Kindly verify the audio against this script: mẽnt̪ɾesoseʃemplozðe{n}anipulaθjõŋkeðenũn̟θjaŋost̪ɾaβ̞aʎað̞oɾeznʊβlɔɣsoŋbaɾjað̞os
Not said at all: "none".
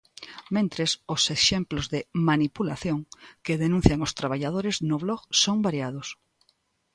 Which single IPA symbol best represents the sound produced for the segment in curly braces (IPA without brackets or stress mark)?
m